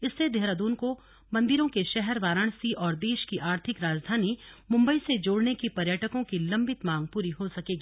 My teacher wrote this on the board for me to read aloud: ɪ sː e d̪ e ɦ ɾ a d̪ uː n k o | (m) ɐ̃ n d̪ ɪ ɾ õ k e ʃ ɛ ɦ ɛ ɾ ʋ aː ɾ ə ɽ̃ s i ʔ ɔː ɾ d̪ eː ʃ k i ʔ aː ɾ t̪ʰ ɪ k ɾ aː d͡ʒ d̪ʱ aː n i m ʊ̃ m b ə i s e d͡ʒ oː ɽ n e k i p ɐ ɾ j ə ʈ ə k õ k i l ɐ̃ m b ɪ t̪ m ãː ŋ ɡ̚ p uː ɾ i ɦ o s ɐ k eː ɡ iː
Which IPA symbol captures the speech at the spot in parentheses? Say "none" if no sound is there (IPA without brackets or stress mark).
m